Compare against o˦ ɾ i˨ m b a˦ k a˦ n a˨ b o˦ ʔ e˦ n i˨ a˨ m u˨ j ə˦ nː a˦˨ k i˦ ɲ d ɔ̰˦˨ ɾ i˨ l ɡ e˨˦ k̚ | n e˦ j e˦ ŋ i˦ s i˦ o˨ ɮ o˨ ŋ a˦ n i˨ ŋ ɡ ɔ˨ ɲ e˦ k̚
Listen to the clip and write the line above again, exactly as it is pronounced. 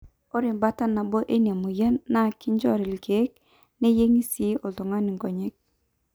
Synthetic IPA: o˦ ɾ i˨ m b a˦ t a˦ n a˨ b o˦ ʔ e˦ n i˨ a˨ m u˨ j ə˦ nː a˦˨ k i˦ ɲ d͡ʒ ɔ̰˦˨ ɾ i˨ l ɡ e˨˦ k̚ | n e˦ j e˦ ŋ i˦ s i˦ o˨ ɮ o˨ ŋ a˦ n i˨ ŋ ɡ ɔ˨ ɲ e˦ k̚